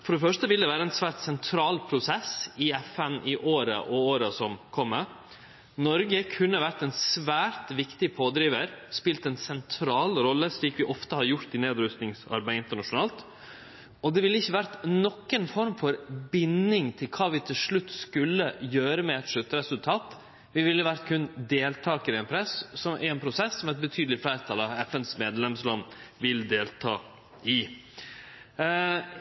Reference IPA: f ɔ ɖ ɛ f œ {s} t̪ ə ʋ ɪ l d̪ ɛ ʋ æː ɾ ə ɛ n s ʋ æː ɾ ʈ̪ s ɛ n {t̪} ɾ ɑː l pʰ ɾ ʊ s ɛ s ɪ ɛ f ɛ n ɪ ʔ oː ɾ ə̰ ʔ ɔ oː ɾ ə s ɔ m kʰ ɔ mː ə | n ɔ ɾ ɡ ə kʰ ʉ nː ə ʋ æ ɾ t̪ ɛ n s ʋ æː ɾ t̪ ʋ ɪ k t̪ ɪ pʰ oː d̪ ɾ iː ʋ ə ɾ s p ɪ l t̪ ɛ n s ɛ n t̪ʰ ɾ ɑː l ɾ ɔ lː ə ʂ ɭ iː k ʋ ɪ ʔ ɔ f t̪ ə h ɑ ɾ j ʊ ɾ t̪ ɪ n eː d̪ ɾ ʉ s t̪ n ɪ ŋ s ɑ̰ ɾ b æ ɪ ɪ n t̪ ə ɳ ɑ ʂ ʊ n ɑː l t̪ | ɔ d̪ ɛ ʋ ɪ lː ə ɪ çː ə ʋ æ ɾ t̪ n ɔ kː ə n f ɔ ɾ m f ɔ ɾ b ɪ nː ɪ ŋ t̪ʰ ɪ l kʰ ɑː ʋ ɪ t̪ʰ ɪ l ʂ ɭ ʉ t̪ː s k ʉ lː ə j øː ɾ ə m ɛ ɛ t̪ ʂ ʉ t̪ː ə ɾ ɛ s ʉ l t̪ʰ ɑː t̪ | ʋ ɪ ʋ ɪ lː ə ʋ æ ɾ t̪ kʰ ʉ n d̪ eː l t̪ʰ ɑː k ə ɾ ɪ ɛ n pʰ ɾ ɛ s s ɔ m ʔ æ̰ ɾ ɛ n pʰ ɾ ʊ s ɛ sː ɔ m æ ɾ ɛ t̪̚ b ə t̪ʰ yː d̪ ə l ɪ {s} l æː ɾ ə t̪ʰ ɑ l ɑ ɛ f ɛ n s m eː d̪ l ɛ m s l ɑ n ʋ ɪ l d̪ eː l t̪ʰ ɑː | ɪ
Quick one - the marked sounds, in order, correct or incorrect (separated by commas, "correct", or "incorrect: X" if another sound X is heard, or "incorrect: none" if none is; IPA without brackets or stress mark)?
incorrect: ʂ, incorrect: t̪ʰ, incorrect: f